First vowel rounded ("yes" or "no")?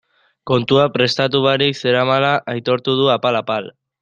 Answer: yes